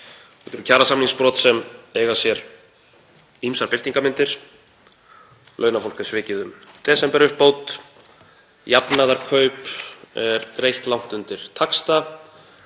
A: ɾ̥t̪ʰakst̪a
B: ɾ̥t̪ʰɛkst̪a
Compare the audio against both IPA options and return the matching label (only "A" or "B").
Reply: A